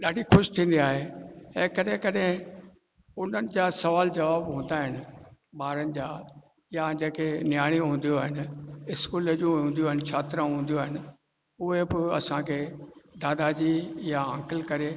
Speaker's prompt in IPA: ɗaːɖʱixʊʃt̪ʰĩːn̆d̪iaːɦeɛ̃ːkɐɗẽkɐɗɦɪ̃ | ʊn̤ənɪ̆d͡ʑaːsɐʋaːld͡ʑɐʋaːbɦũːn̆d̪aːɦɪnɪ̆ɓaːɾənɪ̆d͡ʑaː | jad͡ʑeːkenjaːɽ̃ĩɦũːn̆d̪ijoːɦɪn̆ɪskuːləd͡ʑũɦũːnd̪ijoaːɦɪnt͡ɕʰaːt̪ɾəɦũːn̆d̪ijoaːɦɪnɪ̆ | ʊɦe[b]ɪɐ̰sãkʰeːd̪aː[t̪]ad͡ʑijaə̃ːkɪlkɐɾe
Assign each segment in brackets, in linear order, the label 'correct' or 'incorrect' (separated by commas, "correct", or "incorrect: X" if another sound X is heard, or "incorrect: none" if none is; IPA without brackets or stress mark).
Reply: correct, incorrect: d̪